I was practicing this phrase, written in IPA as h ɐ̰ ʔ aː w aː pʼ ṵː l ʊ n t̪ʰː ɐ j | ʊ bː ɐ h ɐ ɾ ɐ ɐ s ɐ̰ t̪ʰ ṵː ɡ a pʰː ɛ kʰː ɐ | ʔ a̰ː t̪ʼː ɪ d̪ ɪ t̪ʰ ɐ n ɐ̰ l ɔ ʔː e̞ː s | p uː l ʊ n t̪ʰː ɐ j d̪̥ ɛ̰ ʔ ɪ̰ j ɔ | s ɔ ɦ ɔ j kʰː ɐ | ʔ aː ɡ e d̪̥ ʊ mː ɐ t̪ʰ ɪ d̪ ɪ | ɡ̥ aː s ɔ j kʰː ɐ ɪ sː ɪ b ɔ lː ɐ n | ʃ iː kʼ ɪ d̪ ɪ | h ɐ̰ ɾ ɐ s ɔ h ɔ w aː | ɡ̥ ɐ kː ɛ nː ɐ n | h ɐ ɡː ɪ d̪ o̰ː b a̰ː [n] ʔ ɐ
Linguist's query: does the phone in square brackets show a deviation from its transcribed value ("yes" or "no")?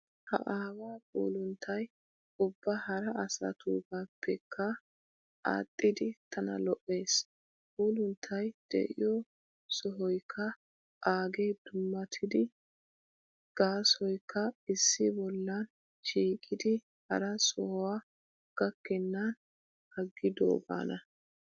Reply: no